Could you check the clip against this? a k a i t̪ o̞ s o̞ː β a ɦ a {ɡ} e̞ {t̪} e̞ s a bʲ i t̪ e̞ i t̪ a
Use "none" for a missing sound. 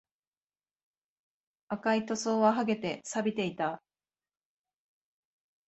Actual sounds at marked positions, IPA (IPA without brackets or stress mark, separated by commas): ɡ, t̪